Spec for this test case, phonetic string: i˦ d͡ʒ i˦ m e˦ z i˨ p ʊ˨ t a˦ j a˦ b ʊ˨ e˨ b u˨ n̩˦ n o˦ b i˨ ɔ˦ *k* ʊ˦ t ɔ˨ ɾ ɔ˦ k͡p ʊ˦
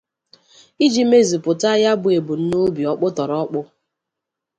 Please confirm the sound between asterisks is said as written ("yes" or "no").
no